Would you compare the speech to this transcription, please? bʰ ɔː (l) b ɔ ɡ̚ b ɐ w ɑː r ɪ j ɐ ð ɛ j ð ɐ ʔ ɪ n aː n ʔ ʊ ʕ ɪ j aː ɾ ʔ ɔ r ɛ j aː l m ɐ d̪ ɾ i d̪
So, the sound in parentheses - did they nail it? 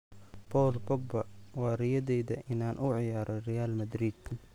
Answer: yes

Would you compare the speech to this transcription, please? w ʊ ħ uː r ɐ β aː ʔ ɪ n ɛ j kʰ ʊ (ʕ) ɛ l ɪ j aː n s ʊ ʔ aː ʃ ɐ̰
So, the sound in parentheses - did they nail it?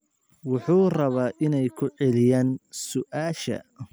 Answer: yes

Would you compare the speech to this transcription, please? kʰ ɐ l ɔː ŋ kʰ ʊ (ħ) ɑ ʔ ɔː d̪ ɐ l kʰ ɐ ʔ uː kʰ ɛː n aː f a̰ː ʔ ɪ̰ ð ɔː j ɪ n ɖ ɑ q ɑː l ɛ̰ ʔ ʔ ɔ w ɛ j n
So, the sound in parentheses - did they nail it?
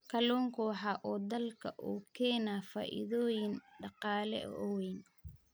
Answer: yes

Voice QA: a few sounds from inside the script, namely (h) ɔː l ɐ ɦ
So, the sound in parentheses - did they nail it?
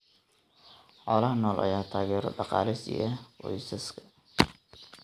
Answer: no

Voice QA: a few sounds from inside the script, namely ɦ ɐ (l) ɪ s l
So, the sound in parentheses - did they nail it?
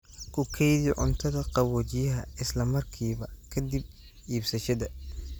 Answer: no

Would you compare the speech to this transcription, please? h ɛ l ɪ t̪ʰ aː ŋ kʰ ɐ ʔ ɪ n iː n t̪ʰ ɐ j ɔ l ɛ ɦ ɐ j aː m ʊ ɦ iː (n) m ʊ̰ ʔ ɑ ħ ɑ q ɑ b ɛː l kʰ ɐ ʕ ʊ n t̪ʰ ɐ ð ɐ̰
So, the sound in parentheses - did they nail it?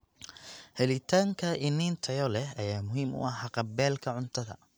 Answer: no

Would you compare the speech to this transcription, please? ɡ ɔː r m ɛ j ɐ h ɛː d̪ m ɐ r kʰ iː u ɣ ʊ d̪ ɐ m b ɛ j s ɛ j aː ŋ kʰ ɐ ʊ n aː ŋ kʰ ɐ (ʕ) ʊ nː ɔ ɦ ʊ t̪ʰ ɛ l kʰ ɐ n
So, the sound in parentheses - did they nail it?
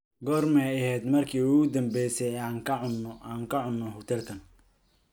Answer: yes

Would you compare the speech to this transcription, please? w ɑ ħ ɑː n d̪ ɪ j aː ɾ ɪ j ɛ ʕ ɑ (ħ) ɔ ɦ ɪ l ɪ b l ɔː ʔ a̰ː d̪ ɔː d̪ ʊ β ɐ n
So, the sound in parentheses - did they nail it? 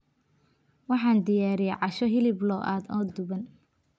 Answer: no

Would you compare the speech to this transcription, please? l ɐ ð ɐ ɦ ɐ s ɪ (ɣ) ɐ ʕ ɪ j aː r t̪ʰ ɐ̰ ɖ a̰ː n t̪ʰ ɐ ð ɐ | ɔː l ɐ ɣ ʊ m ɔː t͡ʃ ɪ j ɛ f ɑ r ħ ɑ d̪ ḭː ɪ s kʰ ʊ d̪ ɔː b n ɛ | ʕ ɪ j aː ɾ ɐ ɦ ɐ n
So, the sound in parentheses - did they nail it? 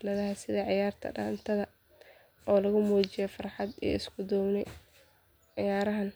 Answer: no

